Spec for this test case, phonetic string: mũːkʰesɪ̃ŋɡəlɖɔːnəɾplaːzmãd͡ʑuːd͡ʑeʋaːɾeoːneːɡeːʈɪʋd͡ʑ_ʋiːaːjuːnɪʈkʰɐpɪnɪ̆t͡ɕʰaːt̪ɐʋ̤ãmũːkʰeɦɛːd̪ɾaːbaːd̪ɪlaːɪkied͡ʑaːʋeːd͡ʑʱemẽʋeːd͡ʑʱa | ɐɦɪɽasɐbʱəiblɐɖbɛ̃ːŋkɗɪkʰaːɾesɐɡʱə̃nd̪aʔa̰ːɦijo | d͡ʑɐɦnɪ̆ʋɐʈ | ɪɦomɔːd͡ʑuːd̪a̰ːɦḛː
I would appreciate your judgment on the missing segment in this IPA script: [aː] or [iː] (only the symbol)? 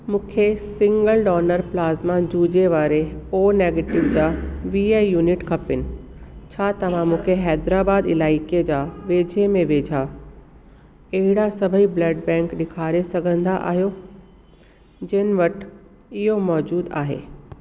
aː